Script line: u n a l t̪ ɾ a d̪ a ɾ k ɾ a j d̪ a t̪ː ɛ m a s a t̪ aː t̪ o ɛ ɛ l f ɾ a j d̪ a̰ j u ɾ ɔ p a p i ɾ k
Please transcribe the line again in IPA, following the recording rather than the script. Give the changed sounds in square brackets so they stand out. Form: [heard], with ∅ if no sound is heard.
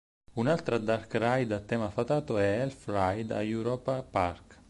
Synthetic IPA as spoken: u n a l t̪ ɾ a d̪ a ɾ k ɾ a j d̪ a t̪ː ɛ m a [f] a t̪ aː t̪ o ɛ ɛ l f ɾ a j d̪ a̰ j u ɾ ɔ p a p [a] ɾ k